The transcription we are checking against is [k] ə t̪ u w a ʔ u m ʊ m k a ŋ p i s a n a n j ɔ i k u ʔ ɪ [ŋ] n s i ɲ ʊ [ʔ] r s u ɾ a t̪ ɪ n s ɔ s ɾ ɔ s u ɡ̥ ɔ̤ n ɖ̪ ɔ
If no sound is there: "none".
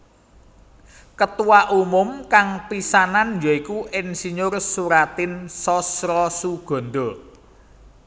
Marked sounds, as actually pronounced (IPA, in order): k, none, none

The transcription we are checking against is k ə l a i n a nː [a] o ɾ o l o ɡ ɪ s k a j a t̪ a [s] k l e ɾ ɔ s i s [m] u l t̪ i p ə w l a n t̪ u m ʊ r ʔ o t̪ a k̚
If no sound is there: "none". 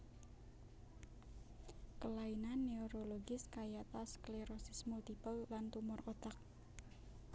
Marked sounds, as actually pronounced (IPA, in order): e, s, m

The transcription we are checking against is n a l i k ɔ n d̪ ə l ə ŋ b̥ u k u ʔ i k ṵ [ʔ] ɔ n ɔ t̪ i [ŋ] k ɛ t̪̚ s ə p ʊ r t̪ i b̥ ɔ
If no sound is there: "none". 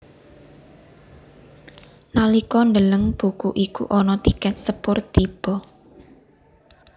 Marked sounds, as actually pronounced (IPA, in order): ʔ, none

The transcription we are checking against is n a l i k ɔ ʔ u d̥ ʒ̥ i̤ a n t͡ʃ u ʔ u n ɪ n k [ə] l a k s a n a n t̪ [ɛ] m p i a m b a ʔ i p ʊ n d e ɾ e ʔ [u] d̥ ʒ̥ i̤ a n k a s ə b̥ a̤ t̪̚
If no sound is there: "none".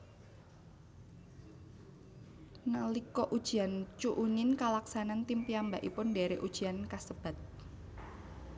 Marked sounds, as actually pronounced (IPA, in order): a, i, u

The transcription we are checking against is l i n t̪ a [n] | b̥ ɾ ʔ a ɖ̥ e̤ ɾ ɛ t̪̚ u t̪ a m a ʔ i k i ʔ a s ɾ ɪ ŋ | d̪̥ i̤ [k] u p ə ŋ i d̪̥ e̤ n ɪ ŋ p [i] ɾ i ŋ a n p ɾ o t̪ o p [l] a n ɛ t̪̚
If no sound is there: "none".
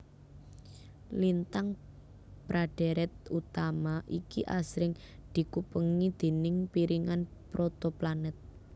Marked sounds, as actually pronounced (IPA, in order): ŋ, k, i, l

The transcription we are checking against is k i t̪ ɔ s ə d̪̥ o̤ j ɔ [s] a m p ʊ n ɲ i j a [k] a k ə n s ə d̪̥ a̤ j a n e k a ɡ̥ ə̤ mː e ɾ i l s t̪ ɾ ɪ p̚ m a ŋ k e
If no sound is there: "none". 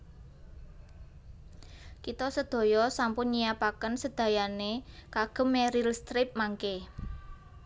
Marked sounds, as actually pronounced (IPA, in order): s, p

